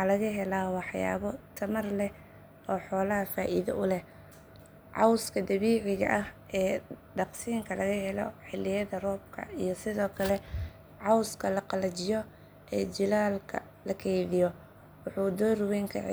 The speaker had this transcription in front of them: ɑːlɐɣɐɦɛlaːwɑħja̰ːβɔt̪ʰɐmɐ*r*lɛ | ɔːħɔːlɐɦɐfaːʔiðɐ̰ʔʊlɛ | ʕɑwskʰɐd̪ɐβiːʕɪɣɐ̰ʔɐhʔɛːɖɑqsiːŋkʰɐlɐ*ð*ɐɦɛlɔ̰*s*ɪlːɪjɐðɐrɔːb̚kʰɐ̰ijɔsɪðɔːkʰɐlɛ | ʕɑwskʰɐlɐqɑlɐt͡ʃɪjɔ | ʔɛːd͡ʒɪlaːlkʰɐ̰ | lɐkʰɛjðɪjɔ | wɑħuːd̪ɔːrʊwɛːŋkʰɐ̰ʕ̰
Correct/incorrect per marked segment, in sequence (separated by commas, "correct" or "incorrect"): correct, incorrect, incorrect